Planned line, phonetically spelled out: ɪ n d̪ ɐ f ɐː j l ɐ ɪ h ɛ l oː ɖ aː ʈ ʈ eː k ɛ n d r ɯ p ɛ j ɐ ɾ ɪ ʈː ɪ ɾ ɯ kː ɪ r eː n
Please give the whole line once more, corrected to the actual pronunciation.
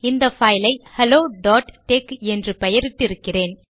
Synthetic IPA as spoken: ɪ n d̪ ɐ f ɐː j l ɐ ɪ h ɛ l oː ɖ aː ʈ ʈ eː k ɛ n d r ɯ p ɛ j ɐ ɾ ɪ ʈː ɪ ɾ ɯ kː ɪ r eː n